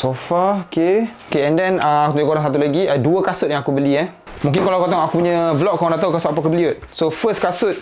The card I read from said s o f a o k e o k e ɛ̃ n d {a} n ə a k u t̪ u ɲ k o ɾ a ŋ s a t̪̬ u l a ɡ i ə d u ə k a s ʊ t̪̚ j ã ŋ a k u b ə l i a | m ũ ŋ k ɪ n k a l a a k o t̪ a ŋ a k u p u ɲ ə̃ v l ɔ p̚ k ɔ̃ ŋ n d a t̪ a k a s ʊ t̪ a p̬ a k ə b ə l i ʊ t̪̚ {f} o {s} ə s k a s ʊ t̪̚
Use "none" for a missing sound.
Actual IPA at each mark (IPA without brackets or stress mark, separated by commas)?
ɛ, s, f